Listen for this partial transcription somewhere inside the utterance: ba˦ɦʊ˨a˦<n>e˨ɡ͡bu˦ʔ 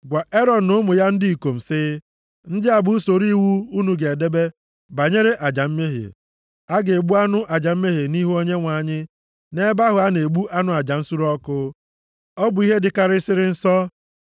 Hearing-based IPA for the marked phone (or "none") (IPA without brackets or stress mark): n